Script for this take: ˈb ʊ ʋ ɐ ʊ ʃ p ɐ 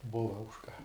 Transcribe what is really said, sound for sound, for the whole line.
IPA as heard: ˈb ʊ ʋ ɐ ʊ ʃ k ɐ